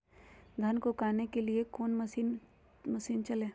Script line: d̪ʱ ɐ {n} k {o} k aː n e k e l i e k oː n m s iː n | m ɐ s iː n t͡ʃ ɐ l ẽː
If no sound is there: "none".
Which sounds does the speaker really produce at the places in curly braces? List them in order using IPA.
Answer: n, o

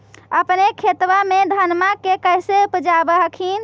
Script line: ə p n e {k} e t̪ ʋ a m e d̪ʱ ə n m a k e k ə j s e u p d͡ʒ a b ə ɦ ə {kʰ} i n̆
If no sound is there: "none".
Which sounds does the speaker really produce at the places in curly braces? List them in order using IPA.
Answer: kʰ, kʰ

